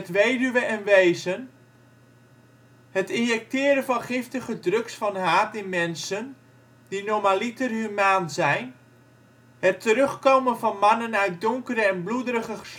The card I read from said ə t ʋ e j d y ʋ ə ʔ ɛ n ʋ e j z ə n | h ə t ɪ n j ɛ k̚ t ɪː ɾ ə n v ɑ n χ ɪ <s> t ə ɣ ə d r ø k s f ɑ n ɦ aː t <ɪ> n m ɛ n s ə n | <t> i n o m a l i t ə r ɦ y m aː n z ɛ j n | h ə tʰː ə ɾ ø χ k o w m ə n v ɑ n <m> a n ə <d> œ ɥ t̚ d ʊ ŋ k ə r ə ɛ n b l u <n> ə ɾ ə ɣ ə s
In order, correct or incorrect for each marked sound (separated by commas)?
incorrect, correct, incorrect, correct, incorrect, incorrect